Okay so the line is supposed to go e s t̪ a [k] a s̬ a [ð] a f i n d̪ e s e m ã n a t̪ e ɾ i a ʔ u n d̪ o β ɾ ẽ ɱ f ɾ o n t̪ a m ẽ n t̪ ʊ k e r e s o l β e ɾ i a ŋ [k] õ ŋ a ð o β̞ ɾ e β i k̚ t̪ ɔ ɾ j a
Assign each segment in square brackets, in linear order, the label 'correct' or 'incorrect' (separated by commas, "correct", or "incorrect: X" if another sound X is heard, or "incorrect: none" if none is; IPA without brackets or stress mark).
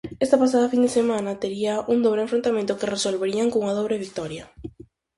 incorrect: p, correct, correct